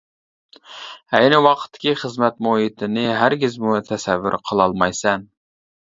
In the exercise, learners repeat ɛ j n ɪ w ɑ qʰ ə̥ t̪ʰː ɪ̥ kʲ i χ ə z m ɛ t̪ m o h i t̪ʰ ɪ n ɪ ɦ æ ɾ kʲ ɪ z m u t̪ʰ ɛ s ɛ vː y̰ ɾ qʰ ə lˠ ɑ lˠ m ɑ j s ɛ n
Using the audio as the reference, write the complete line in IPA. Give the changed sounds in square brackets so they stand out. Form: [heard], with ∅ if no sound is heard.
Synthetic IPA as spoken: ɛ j n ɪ w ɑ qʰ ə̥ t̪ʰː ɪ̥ kʲ i χ ə z m ɛ t̪ m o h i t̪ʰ ɪ n ɪ ɦ æ ɾ [ɡʲ] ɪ z m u t̪ʰ ɛ s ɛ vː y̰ ɾ qʰ ə lˠ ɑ lˠ m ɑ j s ɛ n